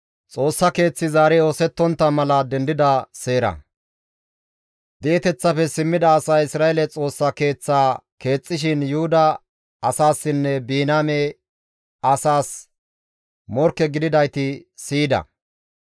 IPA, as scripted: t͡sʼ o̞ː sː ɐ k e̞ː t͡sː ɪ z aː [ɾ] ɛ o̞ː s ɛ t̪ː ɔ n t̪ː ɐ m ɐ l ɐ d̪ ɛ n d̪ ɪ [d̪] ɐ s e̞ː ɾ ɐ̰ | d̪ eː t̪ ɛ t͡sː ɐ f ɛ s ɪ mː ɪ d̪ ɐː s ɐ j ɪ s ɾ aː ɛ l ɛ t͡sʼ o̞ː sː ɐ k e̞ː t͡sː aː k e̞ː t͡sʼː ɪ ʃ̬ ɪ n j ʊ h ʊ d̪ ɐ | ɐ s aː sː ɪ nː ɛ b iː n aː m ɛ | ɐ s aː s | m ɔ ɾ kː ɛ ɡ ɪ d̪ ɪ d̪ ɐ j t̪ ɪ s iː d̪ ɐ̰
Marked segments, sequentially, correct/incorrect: correct, correct

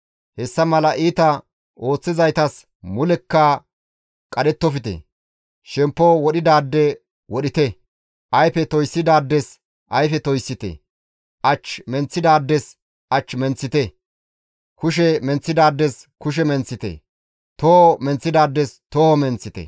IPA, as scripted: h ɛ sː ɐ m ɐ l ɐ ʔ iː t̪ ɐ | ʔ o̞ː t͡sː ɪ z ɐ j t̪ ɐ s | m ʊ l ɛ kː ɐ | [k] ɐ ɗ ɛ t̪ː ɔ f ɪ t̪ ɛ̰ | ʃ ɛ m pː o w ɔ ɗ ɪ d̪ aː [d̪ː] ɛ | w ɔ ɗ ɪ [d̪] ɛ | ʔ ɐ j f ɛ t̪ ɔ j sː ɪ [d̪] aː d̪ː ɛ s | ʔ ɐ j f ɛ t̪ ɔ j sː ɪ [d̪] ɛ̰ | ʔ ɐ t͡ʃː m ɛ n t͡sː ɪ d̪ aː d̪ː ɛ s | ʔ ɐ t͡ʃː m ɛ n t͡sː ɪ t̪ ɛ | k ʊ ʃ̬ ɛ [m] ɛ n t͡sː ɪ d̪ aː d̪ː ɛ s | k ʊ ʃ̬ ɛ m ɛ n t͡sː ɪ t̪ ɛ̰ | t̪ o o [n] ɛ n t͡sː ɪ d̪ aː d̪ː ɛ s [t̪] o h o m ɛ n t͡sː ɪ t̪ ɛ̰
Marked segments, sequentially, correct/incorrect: incorrect: kʼ, correct, incorrect: t̪, correct, incorrect: t̪, correct, incorrect: m, correct

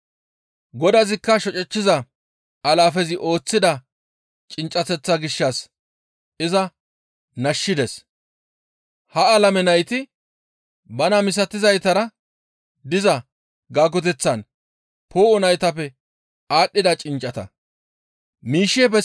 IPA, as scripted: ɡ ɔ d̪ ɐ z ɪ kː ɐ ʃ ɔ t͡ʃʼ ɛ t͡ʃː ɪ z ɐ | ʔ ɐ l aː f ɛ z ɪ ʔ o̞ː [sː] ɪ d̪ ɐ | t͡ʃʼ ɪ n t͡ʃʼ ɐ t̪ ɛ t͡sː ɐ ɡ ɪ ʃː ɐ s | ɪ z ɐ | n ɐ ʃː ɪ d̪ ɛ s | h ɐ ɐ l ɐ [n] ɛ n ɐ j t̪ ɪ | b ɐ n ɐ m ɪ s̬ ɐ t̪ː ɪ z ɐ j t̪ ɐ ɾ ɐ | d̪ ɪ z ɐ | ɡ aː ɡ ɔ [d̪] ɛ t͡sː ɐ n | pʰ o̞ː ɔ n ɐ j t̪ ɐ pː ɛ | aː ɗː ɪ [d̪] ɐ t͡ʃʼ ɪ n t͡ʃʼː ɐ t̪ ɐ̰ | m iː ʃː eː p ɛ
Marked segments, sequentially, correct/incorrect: incorrect: t͡sː, incorrect: m, incorrect: t̪, correct

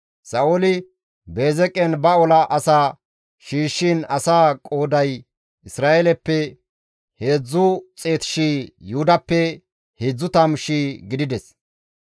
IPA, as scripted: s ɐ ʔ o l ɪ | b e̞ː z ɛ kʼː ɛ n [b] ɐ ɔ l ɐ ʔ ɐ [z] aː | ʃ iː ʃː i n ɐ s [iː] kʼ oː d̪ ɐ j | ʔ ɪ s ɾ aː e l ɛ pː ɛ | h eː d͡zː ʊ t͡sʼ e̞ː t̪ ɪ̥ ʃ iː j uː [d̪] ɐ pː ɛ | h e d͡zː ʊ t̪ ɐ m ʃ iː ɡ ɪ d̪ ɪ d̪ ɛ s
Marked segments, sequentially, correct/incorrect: correct, incorrect: s, incorrect: aː, correct

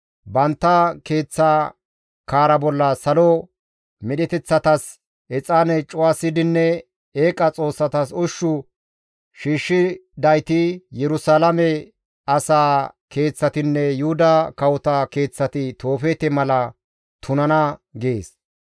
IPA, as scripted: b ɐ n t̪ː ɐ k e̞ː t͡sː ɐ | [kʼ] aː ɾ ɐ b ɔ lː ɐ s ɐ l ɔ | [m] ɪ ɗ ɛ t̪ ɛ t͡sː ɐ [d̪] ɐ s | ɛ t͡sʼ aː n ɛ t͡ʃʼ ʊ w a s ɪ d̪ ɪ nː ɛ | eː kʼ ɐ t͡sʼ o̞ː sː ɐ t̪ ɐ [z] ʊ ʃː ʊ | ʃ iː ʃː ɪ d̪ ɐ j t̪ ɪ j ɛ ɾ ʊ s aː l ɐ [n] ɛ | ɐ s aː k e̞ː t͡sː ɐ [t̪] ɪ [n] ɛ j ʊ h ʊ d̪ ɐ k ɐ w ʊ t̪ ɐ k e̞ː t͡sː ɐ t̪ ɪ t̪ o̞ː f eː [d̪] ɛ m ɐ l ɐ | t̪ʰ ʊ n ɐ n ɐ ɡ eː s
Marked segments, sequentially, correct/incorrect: incorrect: k, correct, incorrect: t̪, incorrect: s, incorrect: m, correct, incorrect: nː, incorrect: t̪

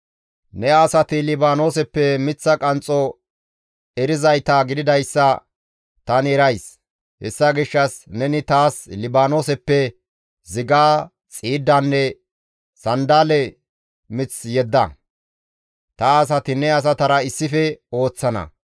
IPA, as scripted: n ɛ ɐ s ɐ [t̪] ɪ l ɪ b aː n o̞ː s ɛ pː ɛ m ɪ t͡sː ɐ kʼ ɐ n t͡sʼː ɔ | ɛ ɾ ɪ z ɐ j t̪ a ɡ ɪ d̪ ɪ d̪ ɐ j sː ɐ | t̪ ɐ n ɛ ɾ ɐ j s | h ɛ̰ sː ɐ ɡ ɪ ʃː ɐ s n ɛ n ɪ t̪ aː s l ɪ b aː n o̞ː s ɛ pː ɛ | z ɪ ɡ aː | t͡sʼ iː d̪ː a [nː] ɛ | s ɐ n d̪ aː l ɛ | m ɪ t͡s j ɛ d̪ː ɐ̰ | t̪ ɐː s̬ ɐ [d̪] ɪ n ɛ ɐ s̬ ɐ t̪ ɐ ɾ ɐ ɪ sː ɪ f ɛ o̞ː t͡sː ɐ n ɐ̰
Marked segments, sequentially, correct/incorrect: correct, correct, incorrect: t̪

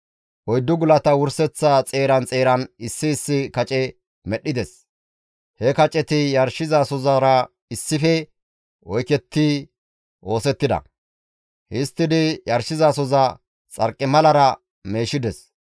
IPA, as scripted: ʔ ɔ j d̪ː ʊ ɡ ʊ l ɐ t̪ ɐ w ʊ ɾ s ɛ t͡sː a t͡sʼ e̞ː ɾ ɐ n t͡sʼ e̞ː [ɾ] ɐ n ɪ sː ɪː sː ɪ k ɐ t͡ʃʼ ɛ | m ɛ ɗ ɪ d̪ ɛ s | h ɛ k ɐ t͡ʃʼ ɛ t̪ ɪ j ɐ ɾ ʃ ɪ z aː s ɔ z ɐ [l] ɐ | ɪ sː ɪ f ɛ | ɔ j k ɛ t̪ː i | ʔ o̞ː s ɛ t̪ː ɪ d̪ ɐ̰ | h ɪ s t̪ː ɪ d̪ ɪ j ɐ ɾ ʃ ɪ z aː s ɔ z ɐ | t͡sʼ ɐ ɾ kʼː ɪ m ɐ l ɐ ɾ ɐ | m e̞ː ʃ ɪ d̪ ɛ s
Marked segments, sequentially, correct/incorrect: correct, incorrect: ɾ

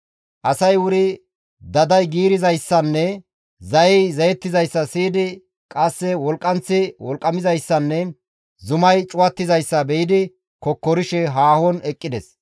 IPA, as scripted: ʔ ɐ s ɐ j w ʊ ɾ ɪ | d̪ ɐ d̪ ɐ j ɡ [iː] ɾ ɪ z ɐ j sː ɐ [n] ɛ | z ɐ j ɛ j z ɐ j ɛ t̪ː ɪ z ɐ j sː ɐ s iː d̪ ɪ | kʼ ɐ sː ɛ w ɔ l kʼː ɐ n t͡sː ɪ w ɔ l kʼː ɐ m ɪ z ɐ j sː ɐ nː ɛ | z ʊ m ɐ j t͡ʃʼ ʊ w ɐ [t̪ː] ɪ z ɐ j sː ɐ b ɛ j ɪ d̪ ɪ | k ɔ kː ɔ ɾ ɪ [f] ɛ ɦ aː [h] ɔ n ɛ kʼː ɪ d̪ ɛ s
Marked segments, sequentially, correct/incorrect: correct, incorrect: nː, correct, incorrect: ʃ, correct

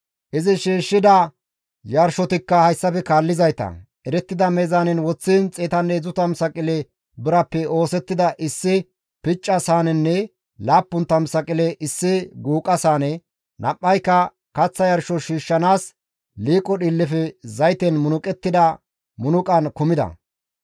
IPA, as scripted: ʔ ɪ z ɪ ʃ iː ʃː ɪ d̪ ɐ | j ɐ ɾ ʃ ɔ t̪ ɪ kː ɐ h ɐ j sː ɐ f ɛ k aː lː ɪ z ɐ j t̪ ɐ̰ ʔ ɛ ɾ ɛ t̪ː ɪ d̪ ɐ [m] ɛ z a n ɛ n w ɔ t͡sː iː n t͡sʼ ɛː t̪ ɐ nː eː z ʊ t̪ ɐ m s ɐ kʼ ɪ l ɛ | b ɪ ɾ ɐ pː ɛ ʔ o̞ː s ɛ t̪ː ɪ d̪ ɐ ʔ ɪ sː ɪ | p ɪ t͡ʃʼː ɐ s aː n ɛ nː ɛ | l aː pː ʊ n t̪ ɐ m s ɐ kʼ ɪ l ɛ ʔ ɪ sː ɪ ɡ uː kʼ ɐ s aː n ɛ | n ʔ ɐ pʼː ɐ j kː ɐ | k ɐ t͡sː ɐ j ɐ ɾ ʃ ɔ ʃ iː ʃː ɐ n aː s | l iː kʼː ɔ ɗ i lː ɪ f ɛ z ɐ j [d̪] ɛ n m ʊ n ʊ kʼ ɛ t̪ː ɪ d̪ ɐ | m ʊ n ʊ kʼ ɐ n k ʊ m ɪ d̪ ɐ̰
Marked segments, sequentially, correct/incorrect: correct, incorrect: t̪

